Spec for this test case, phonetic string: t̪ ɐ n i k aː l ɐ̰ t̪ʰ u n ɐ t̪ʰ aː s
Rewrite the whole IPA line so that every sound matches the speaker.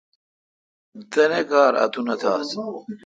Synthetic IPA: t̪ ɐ n e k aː ɾ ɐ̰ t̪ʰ u n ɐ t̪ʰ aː s